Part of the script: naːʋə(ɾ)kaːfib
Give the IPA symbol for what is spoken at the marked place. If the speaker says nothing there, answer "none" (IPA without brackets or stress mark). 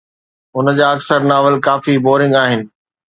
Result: l